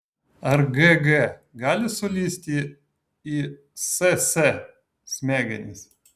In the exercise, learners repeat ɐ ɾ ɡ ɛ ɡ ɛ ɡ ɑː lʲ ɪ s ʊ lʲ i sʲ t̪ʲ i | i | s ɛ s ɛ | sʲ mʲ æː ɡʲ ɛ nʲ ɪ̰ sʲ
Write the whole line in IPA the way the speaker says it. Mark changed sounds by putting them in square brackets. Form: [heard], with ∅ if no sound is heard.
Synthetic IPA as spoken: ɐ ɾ ɡ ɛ ɡ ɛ ɡ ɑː lʲ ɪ s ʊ lʲ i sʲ t̪ʲ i | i | s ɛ s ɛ | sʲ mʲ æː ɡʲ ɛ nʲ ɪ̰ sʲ